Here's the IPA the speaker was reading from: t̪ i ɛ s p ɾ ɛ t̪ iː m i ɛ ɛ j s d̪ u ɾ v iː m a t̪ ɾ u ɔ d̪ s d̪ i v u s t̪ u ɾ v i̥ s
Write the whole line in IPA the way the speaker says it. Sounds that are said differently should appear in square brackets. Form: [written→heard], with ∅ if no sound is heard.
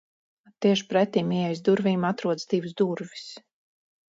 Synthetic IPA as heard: t̪ i ɛ [s→ʃ] p ɾ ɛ t̪ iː m i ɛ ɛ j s d̪ u ɾ v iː m a t̪ ɾ u ɔ d̪ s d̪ i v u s [t̪→d̪] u ɾ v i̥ s

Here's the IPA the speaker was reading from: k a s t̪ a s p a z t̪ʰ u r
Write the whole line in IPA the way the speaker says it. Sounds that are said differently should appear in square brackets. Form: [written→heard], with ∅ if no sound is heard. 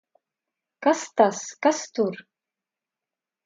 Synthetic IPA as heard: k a s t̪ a s [p→k] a [z→s] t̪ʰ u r

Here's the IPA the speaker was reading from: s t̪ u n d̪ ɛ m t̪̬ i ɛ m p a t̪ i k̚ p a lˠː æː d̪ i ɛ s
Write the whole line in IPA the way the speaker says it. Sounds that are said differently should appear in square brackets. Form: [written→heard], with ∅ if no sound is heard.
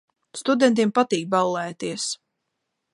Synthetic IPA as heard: s t̪ u [n→∅] d̪ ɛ [m→n] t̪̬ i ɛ m p a t̪ [i→iː] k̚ [p→b] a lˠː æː [d̪→t̪] i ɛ s

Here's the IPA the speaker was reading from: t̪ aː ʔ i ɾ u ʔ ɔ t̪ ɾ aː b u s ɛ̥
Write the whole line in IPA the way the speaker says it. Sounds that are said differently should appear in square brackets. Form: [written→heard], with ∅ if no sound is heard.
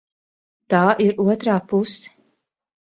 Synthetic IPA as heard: t̪ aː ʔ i ɾ u [ʔ→∅] ɔ t̪ ɾ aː [b→p] u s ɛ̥

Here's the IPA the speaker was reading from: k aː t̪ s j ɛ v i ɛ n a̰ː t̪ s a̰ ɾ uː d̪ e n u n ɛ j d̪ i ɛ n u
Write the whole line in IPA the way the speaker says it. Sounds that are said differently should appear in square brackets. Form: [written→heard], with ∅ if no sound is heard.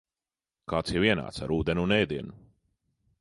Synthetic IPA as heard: k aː t̪ s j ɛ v i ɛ n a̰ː t̪ s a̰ ɾ uː d̪ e n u n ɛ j d̪ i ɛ n u

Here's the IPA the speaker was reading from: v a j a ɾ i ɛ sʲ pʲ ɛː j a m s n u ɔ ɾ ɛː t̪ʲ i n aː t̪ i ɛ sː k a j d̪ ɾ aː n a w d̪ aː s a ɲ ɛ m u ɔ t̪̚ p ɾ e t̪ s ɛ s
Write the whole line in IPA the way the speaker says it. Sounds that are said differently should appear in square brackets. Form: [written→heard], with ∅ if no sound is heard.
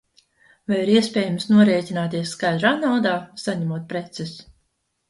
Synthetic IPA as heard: v a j [a→i] ɾ i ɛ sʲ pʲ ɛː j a m s n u ɔ ɾ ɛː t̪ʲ i n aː t̪ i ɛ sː k a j d̪ ɾ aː n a w d̪ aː s a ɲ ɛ m u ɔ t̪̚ p ɾ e t̪ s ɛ s

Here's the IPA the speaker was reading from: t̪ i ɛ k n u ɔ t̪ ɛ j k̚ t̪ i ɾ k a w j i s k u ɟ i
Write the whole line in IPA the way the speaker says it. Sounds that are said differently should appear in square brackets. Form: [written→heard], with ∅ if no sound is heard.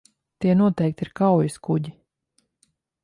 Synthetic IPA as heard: t̪ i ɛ [k→∅] n u ɔ t̪ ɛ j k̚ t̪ i ɾ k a w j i s k u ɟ i

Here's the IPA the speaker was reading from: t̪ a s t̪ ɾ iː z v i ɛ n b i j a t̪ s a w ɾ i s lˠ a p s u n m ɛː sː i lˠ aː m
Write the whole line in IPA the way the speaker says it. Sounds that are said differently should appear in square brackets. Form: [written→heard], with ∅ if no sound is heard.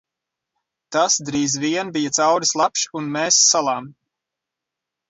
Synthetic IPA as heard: t̪ a s [t̪→d̪] ɾ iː z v i ɛ n b i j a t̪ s a w ɾ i s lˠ a p [s→ʃ] u n m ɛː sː [i→a] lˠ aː m

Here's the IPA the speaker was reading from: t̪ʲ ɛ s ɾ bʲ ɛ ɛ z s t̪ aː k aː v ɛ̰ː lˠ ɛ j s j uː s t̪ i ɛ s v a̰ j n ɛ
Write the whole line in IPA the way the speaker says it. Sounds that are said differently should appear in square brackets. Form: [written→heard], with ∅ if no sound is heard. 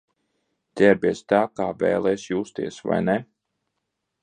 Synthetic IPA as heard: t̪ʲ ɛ [s→∅] ɾ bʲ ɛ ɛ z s t̪ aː k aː v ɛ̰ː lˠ ɛ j s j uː s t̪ i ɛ s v a̰ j n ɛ

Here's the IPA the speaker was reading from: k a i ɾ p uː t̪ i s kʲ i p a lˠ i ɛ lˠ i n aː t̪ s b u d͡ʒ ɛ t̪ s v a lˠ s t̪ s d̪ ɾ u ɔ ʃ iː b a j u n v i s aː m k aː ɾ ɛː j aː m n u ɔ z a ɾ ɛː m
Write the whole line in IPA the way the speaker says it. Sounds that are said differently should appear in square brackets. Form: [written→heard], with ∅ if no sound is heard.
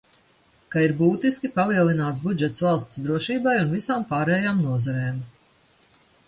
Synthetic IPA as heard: k a i ɾ [p→b] uː t̪ i s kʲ i p a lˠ i ɛ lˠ i n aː t̪ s b u d͡ʒ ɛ t̪ s v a lˠ s t̪ s d̪ ɾ u ɔ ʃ iː b a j u n v i s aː m [k→p] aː ɾ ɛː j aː m n u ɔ z a ɾ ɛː m

